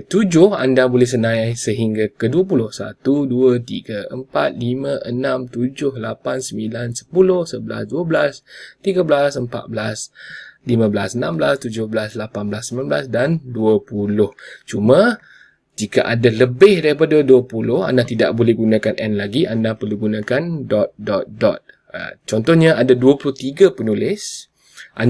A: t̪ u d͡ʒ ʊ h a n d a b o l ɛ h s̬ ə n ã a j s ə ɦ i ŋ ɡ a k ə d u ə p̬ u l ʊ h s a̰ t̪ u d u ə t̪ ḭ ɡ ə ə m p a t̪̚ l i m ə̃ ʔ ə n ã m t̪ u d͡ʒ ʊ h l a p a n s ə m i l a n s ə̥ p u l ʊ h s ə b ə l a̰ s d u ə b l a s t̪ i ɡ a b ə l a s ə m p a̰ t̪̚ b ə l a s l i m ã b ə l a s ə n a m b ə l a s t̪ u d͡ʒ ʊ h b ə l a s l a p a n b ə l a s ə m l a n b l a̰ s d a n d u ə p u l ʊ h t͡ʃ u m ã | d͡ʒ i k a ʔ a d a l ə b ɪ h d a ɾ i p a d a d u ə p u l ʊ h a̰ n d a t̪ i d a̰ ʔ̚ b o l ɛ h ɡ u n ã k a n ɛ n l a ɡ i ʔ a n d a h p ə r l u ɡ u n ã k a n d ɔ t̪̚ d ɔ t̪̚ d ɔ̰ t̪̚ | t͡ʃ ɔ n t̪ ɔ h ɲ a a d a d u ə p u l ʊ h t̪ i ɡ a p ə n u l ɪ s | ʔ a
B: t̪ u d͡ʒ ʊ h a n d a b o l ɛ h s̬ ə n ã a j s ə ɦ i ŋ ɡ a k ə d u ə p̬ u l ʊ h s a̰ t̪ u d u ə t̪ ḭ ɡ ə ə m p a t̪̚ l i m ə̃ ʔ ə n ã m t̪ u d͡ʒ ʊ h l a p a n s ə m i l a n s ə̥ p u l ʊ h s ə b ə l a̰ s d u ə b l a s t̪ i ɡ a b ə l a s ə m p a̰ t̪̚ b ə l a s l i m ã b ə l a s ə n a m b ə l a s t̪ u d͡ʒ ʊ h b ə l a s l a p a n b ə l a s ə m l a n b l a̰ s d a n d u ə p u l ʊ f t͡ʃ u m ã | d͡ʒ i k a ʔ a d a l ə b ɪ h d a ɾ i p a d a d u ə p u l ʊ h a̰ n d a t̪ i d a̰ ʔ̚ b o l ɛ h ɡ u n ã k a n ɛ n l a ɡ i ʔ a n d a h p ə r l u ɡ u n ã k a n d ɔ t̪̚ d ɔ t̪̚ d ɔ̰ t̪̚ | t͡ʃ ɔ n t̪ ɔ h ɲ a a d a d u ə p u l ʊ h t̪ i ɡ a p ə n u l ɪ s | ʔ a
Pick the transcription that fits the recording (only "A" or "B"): A